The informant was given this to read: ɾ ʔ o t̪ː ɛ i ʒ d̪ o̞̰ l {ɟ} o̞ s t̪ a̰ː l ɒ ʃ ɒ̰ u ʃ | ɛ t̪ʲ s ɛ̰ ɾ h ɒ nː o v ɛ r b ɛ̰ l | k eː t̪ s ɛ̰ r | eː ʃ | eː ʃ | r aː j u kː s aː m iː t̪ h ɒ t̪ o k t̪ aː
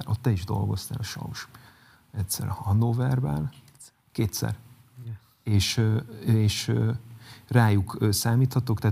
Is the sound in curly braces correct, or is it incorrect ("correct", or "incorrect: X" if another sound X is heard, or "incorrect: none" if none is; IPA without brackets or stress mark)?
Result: incorrect: ɡ